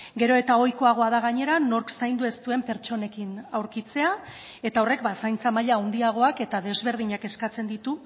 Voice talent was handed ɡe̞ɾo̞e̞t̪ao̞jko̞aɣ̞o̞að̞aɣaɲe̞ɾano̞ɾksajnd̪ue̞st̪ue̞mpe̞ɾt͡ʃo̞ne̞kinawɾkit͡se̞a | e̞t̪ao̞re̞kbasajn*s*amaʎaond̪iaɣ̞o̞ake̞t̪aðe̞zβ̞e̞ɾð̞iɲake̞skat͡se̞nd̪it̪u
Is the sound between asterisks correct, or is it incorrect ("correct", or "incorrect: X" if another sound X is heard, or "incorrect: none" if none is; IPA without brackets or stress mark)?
incorrect: t͡s